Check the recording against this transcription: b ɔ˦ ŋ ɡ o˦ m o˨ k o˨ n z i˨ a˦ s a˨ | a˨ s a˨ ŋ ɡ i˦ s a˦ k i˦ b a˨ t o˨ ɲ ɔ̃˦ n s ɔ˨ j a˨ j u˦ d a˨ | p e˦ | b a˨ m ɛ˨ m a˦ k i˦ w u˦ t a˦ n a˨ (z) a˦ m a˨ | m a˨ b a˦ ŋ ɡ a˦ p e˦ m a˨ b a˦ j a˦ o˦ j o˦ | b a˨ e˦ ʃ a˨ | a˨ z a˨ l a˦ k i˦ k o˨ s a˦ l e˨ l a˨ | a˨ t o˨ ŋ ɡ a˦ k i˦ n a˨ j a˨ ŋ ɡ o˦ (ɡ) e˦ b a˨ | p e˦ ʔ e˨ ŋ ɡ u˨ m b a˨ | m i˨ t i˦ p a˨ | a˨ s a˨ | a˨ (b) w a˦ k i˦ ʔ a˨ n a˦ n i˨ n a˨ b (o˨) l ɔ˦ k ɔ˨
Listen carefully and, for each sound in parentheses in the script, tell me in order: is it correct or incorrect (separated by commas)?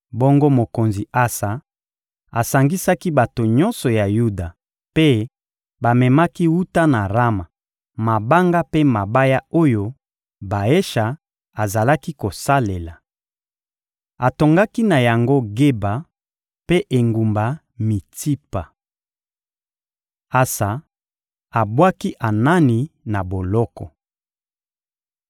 incorrect, correct, correct, correct